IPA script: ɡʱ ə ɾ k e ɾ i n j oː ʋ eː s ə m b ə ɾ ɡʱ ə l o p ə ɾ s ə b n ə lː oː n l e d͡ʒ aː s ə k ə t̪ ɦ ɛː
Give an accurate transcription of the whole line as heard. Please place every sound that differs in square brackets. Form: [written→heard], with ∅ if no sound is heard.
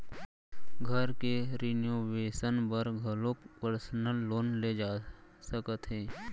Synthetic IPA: ɡʱ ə ɾ k e ɾ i n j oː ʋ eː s ə [m→n] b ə ɾ ɡʱ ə l o p ə ɾ s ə [b→∅] n ə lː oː n l e d͡ʒ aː s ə k ə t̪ ɦ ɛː

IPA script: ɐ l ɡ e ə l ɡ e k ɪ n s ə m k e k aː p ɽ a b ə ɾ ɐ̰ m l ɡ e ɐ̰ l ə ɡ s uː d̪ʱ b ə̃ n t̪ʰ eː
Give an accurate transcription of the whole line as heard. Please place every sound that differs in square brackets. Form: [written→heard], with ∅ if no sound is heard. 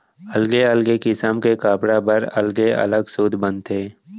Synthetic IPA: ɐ l ɡ e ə l ɡ e k ɪ [n→∅] s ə m k e k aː p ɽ a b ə ɾ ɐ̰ [m→∅] l ɡ e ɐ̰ l ə ɡ s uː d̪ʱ b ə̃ n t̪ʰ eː

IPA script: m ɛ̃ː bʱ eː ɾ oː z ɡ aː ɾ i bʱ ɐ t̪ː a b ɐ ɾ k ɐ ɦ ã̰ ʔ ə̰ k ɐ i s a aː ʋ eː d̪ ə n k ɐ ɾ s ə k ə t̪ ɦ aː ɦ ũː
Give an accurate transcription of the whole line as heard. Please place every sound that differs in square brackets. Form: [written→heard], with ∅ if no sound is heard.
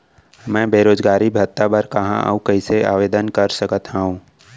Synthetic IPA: m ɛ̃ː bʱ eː ɾ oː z ɡ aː ɾ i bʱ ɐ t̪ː a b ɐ ɾ k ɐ ɦ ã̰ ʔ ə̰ k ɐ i s [a→e] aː ʋ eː d̪ ə n k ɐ ɾ s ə k ə t̪ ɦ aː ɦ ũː

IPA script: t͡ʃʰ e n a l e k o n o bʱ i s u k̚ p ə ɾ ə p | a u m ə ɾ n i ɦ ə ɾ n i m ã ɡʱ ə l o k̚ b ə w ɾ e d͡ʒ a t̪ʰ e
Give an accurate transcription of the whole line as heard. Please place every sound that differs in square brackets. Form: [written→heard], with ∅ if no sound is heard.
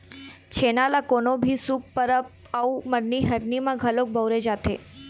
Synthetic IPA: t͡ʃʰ e n a l [e→a] k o n o bʱ i s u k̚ p ə ɾ ə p | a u m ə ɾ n i ɦ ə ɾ n i m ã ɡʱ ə l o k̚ b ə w ɾ e d͡ʒ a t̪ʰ e

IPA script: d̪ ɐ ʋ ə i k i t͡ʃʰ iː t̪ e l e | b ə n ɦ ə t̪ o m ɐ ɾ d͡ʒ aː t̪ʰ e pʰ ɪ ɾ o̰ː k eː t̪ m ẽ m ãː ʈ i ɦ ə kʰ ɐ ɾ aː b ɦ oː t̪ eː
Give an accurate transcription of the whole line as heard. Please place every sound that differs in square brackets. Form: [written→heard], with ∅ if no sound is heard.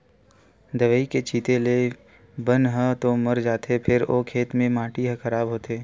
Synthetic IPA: d̪ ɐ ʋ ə i k [i→e] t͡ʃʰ iː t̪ e l e | b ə n ɦ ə t̪ o m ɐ ɾ d͡ʒ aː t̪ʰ e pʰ ɪ ɾ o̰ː [k→kʰ] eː t̪ m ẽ m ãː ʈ i ɦ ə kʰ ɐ ɾ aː b ɦ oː t̪ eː

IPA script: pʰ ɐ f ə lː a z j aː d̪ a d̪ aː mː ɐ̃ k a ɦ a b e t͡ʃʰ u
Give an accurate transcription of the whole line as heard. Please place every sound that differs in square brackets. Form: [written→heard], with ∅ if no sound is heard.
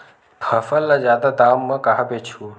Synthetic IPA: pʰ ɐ f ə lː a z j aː d̪ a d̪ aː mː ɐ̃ k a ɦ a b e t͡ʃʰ u

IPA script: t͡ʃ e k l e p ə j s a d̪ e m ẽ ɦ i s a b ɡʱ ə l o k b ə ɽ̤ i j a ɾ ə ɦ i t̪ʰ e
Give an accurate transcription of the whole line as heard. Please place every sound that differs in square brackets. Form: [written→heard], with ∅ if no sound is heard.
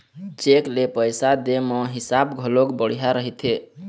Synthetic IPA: t͡ʃ e k l e p ə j s a d̪ e m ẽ ɦ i s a b ɡʱ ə l o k b ə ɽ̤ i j a ɾ ə ɦ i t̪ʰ e

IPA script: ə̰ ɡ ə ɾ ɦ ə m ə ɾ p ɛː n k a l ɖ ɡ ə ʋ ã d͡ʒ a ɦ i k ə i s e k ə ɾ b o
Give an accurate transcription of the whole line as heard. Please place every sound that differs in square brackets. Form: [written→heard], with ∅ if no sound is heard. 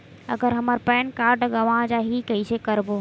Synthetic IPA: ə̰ ɡ ə ɾ ɦ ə m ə ɾ p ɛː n k a [l→ɾ] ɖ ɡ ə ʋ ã d͡ʒ a ɦ i k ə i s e k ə ɾ b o

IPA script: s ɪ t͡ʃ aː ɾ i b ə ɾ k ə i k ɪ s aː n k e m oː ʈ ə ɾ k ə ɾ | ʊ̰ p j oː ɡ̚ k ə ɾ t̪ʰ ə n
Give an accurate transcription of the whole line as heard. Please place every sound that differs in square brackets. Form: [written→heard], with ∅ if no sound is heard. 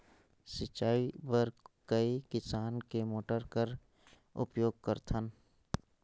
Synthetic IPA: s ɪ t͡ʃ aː [ɾ→∅] i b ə ɾ k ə i k ɪ s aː n k e m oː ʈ ə ɾ k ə ɾ | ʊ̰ p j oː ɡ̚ k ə ɾ t̪ʰ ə n

